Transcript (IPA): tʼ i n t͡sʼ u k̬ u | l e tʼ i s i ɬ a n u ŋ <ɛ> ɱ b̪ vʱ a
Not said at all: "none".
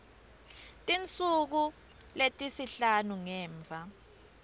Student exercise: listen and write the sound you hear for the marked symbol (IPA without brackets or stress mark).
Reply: ɛː